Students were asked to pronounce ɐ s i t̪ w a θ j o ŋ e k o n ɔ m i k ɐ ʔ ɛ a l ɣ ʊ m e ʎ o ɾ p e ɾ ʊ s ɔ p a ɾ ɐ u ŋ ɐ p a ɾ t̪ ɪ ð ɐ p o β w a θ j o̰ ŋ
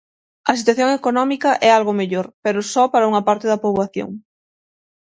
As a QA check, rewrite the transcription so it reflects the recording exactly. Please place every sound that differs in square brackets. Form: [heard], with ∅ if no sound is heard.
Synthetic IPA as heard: ɐ s i t̪ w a θ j o ŋ e k o n ɔ m i k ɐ ʔ ɛ a l ɣ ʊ m e ʎ o ɾ p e ɾ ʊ s ɔ p a ɾ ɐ u ŋ ɐ p a ɾ t̪ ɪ ð ɐ p o β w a θ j o̰ ŋ